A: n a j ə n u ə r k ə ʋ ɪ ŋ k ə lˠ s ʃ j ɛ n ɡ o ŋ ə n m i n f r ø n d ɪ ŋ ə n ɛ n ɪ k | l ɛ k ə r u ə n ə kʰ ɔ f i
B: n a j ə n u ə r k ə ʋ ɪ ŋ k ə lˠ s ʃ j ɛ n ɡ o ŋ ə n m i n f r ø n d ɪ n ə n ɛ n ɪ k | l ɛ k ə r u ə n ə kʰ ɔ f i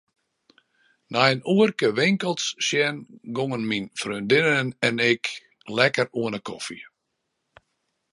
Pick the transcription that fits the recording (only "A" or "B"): B